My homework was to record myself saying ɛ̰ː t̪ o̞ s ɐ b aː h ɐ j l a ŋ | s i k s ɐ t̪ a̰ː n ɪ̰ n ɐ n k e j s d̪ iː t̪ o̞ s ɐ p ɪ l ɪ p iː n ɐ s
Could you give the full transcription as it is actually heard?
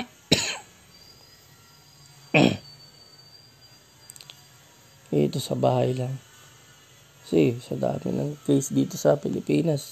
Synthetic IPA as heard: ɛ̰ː t̪ o̞ s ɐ b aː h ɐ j l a ŋ | s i s ɐ d̪ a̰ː m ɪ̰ n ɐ ŋ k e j s d̪ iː t̪ o̞ s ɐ p ɪ l ɪ p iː n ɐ s